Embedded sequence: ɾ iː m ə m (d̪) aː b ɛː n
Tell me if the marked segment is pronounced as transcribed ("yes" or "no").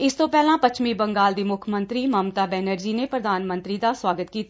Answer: no